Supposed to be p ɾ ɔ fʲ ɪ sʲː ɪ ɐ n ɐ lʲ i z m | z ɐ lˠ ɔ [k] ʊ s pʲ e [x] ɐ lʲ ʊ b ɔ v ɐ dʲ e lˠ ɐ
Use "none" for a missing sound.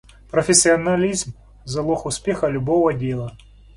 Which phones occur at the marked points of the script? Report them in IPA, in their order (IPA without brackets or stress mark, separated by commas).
x, x